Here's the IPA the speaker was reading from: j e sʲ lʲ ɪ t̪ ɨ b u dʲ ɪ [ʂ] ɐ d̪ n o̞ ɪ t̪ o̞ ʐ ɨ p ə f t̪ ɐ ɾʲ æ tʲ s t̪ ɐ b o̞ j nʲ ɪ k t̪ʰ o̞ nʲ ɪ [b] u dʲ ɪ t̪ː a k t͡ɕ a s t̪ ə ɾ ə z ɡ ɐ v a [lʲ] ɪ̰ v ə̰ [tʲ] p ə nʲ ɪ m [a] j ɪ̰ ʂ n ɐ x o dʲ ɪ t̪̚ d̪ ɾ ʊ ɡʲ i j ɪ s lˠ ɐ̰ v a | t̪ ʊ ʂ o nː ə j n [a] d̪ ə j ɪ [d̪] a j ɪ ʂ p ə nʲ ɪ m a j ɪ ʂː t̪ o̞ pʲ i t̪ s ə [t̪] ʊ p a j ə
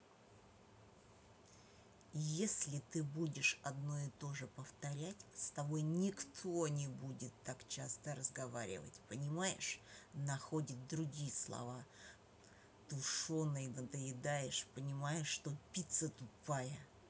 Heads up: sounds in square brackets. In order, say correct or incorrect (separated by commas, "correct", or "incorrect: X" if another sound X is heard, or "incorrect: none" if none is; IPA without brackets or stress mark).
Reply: correct, correct, incorrect: ɾʲ, correct, correct, incorrect: ə, correct, correct